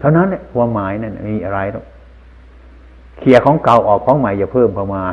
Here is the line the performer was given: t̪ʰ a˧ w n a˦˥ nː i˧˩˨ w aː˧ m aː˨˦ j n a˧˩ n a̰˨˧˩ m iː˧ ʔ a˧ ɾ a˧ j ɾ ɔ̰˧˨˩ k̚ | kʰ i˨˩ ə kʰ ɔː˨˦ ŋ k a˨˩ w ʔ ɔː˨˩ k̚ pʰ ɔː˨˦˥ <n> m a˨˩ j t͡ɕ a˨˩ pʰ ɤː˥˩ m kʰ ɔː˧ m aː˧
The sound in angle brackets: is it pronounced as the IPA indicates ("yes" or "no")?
no